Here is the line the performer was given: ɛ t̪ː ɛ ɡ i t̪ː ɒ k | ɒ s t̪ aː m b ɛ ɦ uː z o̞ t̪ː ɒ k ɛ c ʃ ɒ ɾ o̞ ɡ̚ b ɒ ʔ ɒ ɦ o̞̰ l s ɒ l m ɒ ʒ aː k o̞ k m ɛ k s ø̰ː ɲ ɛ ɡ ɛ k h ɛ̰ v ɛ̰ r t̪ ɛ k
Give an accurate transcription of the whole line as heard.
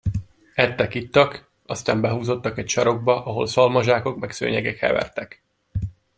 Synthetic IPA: ɛ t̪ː ɛ k i t̪ː ɒ k | ɒ s t̪ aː m b ɛ ɦ uː z o̞ t̪ː ɒ k ɛ c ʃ ɒ ɾ o̞ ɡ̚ b ɒ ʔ ɒ ɦ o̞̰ l s ɒ l m ɒ ʒ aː k o̞ k m ɛ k s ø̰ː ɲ ɛ ɡ ɛ k h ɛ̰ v ɛ̰ r t̪ ɛ k